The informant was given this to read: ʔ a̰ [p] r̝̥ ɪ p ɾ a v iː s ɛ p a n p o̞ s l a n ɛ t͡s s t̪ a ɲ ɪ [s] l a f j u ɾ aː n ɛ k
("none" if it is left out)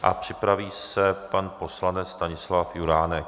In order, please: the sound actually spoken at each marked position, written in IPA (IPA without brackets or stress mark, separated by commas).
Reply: p, s